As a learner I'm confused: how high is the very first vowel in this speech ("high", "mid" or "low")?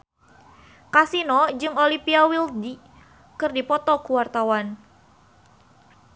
low